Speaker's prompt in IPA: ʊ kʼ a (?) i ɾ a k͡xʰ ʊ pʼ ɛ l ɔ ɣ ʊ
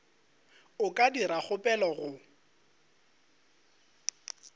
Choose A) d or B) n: A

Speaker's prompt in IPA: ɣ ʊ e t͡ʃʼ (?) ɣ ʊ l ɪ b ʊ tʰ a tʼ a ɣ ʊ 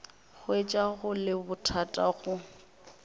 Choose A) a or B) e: A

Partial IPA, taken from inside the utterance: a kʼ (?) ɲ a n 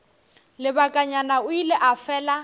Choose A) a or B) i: A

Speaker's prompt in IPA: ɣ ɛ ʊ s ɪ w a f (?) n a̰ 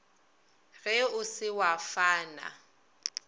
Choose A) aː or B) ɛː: A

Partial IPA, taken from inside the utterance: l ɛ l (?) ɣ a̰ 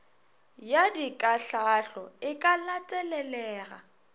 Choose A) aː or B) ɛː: B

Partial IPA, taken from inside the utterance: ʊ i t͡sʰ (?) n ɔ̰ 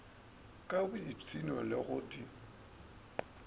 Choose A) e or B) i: B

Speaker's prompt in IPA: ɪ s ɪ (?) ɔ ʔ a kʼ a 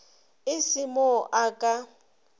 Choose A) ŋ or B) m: B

